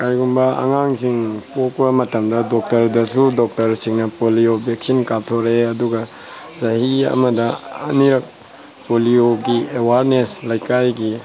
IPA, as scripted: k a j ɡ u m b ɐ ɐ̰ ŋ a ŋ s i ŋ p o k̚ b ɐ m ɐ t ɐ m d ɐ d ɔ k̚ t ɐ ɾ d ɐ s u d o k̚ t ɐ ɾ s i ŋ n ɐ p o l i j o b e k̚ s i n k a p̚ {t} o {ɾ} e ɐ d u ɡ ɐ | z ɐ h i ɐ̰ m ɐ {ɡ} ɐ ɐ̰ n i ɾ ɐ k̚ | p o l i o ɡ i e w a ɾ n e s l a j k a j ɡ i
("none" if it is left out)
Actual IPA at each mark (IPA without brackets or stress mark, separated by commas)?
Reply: tʰ, ɾ, d